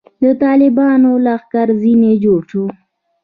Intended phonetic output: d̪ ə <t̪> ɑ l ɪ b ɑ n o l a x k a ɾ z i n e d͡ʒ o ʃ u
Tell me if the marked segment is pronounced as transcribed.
yes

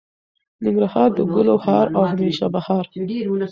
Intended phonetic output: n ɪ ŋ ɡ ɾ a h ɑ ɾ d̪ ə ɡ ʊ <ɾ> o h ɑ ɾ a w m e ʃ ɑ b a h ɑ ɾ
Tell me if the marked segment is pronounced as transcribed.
no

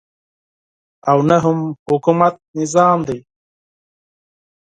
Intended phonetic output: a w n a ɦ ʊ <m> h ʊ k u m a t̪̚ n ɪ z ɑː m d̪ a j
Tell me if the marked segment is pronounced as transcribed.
yes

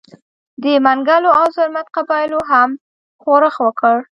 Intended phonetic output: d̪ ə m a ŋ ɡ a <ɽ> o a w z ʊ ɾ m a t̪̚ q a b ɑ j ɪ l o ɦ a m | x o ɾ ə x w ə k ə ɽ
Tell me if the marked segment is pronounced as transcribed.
no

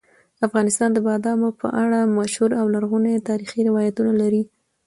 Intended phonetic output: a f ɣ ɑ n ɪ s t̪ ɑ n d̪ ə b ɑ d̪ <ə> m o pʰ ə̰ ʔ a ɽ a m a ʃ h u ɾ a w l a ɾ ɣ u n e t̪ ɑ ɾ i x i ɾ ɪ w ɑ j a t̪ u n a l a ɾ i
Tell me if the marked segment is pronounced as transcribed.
no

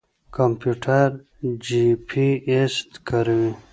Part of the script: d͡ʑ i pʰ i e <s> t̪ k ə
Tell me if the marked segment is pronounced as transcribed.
yes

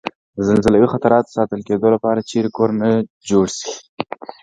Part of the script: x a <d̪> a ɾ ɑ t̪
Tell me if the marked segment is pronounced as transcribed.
no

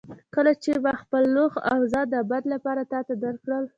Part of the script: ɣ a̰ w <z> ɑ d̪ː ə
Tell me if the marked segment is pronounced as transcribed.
yes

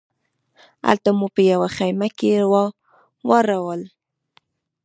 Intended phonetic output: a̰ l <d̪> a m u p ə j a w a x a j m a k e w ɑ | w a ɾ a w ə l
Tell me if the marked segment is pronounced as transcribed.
no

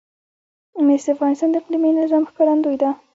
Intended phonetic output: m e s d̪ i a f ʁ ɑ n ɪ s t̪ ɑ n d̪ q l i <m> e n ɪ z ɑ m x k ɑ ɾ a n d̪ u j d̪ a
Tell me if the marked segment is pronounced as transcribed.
yes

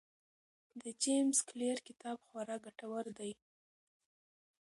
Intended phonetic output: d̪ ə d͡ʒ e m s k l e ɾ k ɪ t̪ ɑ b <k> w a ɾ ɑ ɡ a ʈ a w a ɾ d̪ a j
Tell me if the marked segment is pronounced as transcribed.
no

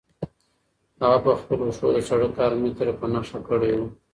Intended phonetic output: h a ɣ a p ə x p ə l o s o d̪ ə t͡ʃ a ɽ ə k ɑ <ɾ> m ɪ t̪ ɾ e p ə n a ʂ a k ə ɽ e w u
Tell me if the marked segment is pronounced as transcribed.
yes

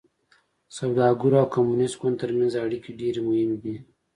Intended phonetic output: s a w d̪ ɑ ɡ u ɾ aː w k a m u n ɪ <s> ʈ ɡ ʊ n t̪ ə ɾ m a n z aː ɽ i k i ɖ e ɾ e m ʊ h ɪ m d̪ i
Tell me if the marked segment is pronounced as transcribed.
yes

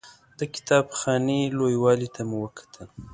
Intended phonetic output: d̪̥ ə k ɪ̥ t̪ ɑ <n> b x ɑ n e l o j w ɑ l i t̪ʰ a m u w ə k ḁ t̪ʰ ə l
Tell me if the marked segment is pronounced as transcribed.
no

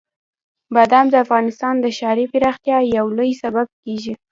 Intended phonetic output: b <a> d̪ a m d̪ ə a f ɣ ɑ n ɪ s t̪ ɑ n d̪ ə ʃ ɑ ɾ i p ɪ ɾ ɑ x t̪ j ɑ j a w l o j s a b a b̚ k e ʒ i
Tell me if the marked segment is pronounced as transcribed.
yes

